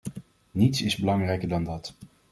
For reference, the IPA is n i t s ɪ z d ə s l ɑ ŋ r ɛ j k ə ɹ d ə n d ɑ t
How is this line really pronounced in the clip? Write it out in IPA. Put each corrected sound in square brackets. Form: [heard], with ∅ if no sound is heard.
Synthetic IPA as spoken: n i t s ɪ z [b] ə [∅] l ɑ ŋ r ɛ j k ə ɹ d [ɑ] n d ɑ t